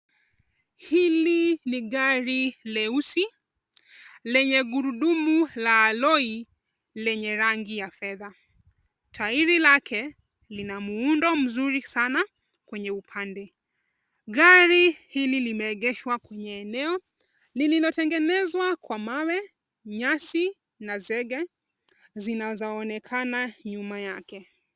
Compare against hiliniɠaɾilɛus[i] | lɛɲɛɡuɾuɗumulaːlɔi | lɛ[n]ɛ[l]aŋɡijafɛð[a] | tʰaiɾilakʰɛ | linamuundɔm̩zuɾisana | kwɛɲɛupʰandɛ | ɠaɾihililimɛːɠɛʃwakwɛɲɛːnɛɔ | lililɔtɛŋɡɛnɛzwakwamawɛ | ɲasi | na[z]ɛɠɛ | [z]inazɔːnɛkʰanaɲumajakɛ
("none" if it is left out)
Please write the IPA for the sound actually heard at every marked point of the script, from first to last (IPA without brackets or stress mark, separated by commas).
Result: i, ɲ, ɾ, a, z, z